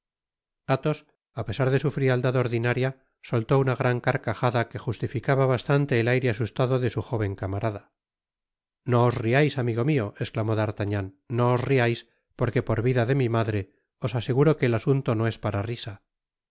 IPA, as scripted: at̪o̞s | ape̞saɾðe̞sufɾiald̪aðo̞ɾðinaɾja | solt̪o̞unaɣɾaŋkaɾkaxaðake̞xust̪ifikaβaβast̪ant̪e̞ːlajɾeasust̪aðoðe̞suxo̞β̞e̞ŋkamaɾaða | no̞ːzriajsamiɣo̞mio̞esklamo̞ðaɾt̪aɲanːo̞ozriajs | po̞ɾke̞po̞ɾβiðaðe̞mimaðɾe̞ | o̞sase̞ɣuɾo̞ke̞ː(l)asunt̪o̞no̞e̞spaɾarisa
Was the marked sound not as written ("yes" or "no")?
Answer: no